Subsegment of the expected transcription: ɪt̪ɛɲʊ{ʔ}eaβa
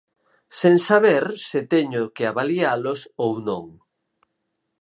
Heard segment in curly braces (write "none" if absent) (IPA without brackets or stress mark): k